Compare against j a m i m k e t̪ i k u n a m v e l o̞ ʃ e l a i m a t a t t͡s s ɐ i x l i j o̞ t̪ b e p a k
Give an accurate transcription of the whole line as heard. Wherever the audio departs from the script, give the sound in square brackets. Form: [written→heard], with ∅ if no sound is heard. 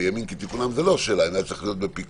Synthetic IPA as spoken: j a m i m k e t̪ i k u n a m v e l o̞ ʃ e l a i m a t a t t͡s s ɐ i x l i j o̞ t̪ b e p [a→i] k